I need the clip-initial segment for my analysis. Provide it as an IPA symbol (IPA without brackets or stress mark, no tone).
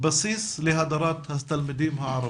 b